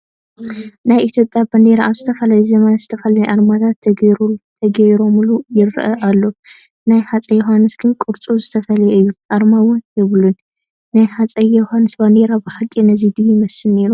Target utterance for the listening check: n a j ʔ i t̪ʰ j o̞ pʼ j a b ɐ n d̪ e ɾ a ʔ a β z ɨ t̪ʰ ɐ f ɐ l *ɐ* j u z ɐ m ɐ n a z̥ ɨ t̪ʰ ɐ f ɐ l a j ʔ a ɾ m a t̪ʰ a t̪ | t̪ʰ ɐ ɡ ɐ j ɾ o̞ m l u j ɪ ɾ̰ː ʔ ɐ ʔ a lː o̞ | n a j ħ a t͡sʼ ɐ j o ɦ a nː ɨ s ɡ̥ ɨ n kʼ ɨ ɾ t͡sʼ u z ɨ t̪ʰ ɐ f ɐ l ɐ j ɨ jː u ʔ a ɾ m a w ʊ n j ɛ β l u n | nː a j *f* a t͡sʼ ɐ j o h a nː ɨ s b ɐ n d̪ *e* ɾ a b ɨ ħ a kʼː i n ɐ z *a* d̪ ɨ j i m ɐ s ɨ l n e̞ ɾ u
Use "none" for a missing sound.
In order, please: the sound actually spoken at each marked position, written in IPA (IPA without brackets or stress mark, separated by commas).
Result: a, ħ, e, i